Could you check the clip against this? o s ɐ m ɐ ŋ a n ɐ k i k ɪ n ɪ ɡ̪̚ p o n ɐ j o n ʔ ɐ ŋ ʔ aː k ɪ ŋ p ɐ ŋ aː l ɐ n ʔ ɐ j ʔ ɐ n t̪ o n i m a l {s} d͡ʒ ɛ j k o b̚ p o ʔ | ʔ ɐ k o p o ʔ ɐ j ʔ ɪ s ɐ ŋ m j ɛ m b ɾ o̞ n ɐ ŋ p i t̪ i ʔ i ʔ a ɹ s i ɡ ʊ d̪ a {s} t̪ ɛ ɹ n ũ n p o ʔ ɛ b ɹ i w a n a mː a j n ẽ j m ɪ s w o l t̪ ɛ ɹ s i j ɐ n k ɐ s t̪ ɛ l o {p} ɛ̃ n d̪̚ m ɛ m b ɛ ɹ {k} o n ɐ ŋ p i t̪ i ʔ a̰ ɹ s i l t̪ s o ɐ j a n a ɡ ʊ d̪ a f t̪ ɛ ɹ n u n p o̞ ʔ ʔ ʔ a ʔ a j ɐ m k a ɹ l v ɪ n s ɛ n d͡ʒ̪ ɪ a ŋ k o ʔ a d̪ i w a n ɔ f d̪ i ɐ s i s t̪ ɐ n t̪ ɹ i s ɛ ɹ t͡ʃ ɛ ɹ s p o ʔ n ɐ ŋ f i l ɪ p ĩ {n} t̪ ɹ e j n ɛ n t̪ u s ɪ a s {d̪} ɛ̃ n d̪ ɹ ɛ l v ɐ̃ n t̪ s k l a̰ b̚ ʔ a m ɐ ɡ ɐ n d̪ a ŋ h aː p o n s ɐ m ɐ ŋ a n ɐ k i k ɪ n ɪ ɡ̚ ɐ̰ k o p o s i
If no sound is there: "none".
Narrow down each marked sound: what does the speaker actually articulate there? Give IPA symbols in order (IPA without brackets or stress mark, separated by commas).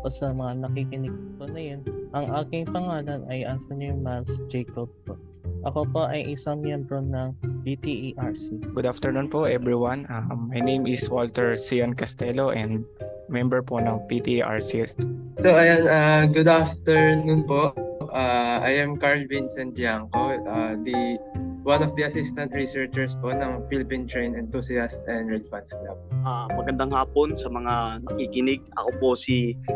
s, f, ʔ, p, n, t̪